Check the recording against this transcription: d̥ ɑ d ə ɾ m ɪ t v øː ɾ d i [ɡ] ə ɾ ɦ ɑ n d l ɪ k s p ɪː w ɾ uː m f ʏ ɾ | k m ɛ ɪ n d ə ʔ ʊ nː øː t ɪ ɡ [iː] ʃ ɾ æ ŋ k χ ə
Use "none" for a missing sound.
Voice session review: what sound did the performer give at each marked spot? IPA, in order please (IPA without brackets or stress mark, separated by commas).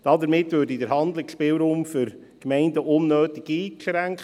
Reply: d, iː